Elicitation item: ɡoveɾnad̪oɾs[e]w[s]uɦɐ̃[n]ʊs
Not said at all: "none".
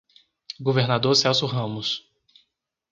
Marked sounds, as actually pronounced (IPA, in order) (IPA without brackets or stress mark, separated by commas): ɛ, s, m